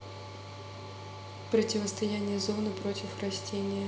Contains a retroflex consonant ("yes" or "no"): no